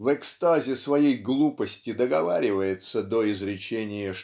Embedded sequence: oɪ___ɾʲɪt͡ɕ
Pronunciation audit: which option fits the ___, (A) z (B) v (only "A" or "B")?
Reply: A